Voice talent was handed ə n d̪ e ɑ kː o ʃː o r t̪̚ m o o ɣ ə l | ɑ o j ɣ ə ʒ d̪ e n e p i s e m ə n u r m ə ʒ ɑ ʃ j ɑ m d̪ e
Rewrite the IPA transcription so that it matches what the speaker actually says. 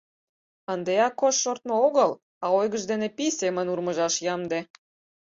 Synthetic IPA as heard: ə n d̪ e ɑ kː o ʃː o r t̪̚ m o o ɣ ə l | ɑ o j ɣ ə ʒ d̪ e n e p i s e m ə n u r m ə ʒ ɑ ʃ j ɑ m d̪ e